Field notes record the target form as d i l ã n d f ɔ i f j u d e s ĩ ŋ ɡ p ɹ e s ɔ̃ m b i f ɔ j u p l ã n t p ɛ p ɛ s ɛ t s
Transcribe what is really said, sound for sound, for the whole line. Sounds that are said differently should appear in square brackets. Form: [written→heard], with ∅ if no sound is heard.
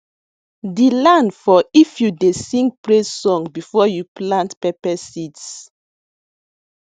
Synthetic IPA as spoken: d i l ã n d f ɔ i f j u d e s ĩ ŋ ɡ p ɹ e s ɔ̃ [m→ŋ] b i f ɔ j u p l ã n t p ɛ p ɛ s [ɛ→i] t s